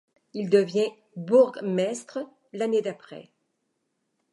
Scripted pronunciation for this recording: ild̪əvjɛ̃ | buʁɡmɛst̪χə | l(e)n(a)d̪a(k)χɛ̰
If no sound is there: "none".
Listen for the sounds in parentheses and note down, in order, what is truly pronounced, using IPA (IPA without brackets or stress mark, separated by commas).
a, e, p